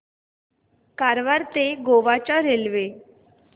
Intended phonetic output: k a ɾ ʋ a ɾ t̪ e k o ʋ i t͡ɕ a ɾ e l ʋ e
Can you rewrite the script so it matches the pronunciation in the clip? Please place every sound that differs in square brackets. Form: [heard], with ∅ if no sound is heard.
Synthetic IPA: k a ɾ ʋ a ɾ t̪ e [ɡ] o ʋ [a] t͡ɕ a ɾ e l ʋ e